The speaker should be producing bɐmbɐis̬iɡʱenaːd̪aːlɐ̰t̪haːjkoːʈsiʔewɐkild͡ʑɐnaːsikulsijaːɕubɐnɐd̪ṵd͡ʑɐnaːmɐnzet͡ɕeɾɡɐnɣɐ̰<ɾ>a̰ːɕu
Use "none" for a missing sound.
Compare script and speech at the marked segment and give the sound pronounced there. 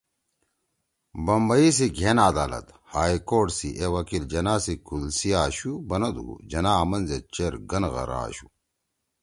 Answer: ɾ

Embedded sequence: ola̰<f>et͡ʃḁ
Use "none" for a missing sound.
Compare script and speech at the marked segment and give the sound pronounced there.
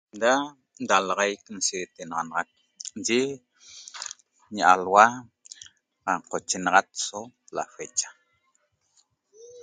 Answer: f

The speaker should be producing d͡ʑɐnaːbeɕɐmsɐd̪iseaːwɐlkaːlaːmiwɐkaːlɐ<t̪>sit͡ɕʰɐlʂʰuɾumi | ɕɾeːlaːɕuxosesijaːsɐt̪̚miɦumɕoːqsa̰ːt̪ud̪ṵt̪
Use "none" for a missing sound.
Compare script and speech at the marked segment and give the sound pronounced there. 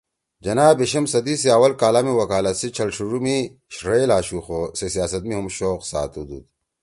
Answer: t̪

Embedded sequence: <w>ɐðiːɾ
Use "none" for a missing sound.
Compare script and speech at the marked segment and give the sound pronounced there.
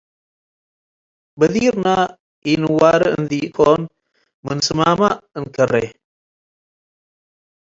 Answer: b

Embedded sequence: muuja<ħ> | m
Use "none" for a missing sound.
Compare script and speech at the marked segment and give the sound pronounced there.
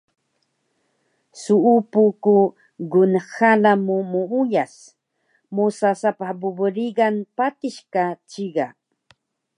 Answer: s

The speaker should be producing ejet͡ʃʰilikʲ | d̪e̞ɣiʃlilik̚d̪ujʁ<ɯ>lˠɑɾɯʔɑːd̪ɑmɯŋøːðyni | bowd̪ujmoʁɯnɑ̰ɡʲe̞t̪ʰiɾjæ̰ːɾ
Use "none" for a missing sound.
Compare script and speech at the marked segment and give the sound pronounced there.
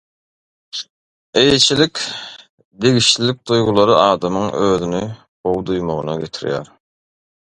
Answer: u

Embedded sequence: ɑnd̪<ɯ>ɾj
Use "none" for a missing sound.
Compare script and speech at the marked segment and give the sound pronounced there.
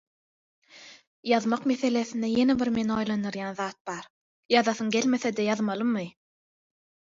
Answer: ɯ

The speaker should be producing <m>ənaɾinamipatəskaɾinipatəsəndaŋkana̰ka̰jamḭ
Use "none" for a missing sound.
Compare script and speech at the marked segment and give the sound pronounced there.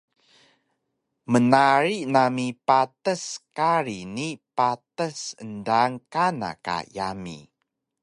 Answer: m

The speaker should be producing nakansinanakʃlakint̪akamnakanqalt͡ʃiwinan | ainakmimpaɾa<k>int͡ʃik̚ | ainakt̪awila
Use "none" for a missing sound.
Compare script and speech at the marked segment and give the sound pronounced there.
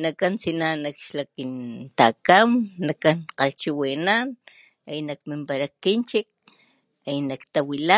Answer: k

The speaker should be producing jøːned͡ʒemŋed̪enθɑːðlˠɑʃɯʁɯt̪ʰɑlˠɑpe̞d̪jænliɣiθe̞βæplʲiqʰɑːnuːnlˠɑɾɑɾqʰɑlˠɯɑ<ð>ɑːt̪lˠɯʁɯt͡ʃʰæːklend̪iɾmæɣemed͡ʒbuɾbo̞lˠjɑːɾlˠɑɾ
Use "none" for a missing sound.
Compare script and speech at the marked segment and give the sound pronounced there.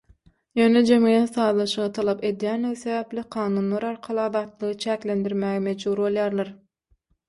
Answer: ð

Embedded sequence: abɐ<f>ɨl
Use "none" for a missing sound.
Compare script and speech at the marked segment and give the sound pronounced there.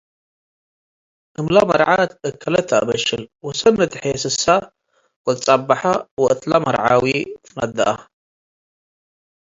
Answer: ʃ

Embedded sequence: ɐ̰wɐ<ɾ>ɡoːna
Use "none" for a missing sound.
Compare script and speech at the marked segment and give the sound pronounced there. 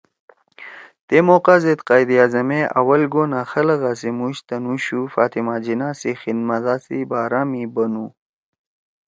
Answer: l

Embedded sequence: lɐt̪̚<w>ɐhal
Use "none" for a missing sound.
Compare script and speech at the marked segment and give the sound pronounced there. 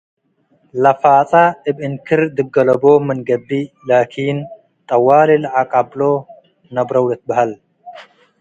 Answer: b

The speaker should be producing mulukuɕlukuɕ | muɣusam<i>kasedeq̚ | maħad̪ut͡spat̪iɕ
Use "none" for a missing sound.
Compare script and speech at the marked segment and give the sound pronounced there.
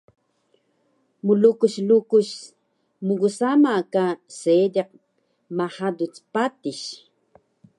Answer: a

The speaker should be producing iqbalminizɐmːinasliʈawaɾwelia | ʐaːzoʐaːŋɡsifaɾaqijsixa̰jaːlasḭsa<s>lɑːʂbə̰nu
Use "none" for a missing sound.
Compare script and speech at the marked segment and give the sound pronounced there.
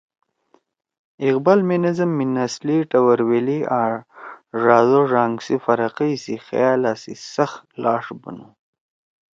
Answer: x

